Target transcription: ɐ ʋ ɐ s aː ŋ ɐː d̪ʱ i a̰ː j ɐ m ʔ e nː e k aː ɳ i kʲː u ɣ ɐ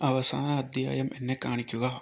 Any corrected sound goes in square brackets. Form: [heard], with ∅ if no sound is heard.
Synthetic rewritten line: ɐ ʋ ɐ s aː [n] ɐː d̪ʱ [j] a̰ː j ɐ m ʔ e nː e k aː ɳ i kʲː u ɣ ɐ